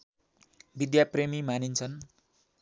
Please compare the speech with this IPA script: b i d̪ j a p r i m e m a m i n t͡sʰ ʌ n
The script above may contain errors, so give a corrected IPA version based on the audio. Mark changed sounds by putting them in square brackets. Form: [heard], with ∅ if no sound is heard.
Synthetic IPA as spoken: b i d̪ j a p r [e] m [i] m a [n] i n t͡sʰ ʌ n